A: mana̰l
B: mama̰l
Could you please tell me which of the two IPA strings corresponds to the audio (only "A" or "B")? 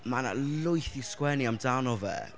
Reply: A